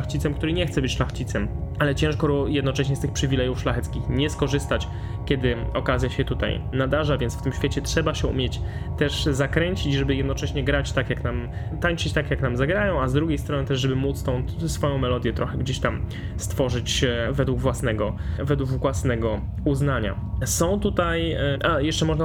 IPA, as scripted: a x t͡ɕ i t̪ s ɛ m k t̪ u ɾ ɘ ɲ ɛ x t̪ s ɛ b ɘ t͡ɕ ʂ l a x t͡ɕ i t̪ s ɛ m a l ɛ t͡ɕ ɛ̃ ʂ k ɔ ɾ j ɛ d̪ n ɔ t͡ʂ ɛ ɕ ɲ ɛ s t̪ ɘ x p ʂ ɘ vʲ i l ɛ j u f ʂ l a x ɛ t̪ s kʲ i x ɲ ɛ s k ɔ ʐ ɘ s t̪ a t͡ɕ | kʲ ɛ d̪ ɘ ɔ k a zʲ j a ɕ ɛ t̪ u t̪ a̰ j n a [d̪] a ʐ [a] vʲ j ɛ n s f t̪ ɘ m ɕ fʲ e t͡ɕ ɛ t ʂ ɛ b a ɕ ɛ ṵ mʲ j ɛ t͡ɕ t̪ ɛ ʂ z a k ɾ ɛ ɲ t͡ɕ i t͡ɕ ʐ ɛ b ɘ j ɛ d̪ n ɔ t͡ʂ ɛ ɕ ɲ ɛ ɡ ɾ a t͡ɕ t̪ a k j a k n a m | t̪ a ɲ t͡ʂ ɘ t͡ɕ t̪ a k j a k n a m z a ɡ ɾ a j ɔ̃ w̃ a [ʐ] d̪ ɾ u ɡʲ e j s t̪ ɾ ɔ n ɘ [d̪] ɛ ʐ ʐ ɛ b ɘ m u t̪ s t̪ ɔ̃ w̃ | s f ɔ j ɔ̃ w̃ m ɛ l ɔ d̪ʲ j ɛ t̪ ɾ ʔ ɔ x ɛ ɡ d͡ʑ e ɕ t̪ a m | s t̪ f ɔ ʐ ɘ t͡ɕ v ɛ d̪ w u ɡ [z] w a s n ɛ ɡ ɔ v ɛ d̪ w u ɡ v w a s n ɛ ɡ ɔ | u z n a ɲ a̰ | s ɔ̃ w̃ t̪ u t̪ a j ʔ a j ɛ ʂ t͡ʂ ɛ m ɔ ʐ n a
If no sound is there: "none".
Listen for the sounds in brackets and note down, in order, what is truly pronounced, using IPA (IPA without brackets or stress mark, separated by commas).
d̪, a, z, t̪, v